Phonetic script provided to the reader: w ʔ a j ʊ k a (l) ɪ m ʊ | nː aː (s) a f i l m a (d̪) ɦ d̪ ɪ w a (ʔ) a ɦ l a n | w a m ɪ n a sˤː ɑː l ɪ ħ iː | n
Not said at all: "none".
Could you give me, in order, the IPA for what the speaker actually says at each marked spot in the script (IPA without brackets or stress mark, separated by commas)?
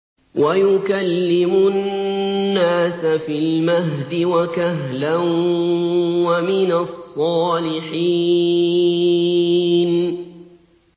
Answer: lː, s, none, k